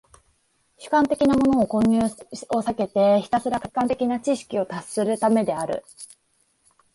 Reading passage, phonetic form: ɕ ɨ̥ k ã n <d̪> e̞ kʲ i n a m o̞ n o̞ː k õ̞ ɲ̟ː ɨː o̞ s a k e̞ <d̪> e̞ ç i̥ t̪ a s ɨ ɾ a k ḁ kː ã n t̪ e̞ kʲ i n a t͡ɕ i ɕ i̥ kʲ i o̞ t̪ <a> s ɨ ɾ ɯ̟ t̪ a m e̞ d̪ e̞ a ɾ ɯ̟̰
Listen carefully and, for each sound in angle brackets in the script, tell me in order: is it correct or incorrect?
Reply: incorrect: t̪, incorrect: t̪, correct

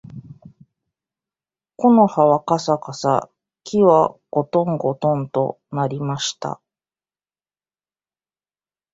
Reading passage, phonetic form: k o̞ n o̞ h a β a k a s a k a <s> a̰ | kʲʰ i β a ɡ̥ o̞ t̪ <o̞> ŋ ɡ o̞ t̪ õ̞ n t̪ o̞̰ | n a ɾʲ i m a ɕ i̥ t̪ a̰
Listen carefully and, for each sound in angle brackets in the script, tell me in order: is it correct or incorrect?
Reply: correct, incorrect: õ̞

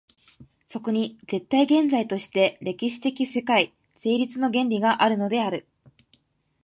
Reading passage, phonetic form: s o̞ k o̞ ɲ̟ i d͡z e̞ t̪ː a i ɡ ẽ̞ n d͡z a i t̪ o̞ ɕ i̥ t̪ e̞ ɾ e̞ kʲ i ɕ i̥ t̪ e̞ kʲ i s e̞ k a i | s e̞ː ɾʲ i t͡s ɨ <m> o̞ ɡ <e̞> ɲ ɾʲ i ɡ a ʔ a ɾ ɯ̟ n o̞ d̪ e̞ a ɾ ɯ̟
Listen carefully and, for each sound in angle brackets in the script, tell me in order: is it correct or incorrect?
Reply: incorrect: n, incorrect: ẽ̞

